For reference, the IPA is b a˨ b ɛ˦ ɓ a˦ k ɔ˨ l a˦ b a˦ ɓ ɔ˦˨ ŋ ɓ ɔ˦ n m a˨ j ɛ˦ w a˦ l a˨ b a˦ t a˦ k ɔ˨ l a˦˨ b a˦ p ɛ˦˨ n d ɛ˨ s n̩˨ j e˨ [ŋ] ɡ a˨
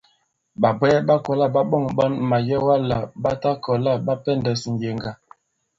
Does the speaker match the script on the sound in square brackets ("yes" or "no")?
yes